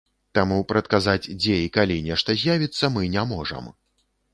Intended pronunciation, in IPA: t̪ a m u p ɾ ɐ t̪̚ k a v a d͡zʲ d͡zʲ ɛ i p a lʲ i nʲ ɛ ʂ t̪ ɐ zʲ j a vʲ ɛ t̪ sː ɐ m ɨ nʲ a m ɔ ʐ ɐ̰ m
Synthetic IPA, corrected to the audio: t̪ a m u p ɾ ɐ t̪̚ k a z a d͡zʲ d͡zʲ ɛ i k a lʲ i nʲ ɛ ʂ t̪ ɐ zʲ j a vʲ i t̪ sː ɐ m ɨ nʲ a m ɔ ʐ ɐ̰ m